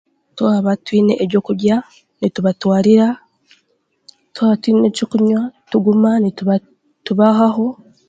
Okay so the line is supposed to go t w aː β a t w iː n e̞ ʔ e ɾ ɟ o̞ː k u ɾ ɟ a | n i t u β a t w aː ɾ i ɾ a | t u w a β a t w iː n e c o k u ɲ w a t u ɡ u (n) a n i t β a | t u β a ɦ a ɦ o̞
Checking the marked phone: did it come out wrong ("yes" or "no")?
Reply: yes